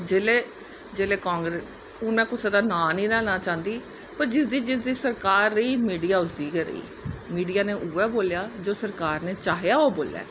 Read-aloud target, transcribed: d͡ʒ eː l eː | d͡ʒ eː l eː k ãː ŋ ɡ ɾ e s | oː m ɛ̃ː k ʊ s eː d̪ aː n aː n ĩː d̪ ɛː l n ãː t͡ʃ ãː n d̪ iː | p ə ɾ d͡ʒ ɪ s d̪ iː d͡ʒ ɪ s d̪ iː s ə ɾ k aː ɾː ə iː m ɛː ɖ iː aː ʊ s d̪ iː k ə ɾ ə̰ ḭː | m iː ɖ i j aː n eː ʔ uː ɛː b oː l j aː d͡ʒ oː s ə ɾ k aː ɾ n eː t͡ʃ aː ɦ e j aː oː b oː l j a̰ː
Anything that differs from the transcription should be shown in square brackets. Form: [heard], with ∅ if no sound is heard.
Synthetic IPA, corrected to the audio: d͡ʒ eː l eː | d͡ʒ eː l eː k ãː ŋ ɡ ɾ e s | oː m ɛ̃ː k ʊ s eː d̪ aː n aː n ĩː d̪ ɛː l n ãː t͡ʃ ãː n d̪ iː | p ə ɾ d͡ʒ ɪ s d̪ iː d͡ʒ ɪ s d̪ iː s ə ɾ k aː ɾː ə iː m [iː] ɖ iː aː ʊ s d̪ iː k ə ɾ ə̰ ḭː | m iː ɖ i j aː n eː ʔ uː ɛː b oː l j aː d͡ʒ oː s ə ɾ k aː ɾ n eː t͡ʃ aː ɦ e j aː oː b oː l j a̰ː